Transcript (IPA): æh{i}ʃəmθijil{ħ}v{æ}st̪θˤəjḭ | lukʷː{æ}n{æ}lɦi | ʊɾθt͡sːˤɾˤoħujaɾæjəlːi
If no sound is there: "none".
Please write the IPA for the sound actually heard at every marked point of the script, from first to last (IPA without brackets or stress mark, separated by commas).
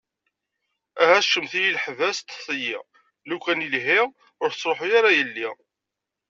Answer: æ, ħ, æ, æ, i